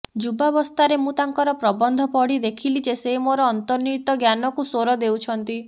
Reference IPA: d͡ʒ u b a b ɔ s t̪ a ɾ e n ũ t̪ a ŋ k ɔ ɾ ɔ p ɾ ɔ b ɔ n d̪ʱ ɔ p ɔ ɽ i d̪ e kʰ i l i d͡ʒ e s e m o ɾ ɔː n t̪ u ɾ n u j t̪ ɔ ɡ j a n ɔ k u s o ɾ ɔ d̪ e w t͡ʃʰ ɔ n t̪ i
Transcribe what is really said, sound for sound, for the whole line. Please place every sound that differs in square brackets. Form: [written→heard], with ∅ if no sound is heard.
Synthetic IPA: d͡ʒ u b a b ɔ s t̪ a ɾ e [n→m] ũ t̪ a ŋ k ɔ ɾ ɔ p ɾ ɔ b ɔ n d̪ʱ ɔ p ɔ ɽ i d̪ e kʰ i l i d͡ʒ e s e m o ɾ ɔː n t̪ [u→ɔ] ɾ n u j t̪ ɔ ɡ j a n ɔ k u s o ɾ ɔ d̪ e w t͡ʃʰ ɔ n t̪ i